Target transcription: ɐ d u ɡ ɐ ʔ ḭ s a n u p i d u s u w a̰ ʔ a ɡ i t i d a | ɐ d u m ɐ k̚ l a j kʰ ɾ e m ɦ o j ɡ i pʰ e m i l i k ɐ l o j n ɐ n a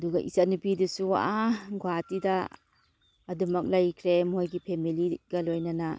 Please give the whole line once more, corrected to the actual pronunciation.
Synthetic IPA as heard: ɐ d u ɡ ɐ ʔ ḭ s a n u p i d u s u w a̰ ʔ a ɡ a t i d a | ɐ d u m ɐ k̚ l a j kʰ ɾ e m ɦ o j ɡ i pʰ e m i l i ɡ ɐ l o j n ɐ n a